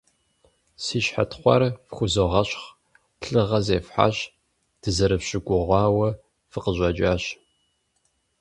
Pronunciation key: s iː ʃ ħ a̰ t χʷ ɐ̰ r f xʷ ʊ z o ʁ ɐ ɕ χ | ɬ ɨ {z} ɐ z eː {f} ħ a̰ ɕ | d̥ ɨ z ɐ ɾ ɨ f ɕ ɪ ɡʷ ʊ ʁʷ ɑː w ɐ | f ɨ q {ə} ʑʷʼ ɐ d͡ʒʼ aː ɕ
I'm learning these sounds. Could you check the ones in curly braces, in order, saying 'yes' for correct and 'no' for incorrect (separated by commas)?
no, yes, yes